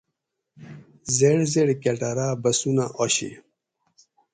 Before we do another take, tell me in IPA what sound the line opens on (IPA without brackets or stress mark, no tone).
z